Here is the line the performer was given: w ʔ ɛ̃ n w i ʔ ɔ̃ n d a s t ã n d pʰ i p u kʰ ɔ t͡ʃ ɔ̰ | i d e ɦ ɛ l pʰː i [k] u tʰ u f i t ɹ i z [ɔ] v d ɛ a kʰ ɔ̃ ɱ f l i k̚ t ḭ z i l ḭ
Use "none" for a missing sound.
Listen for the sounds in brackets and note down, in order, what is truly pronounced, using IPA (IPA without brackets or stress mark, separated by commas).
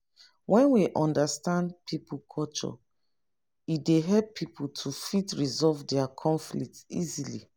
p, ɔ